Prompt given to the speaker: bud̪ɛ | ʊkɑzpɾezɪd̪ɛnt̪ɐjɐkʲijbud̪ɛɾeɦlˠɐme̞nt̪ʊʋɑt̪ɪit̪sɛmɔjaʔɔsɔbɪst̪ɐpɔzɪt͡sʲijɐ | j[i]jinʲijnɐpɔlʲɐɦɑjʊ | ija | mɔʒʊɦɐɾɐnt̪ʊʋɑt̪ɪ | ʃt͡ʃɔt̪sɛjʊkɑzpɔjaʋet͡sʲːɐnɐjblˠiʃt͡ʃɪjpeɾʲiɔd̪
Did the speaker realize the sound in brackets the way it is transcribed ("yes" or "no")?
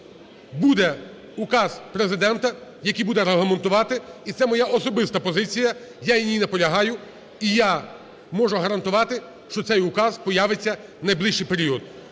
no